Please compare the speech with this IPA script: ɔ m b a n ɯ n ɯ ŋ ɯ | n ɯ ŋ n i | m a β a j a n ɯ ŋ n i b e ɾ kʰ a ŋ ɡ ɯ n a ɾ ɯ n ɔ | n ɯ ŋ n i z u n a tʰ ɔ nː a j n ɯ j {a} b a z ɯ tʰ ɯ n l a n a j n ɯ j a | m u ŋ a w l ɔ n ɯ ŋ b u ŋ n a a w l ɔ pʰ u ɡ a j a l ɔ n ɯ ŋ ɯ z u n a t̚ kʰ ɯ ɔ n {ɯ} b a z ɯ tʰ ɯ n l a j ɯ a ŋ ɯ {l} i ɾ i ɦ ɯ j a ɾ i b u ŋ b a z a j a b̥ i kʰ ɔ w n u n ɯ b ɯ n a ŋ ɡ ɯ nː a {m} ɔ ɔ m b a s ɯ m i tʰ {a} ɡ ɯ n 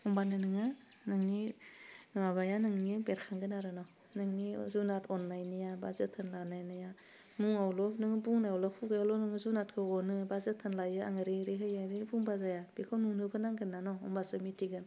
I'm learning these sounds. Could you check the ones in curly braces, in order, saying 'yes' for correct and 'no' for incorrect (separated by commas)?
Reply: yes, yes, no, no, no